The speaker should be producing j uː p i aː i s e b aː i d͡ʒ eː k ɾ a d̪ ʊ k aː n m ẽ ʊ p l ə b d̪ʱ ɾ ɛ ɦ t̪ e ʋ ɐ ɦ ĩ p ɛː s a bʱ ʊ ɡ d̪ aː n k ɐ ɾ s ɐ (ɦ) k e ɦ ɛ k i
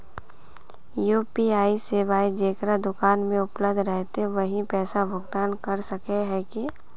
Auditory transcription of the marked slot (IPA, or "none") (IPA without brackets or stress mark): none